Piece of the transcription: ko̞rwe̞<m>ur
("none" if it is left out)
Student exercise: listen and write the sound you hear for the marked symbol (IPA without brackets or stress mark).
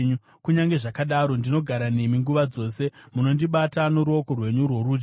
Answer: ɲ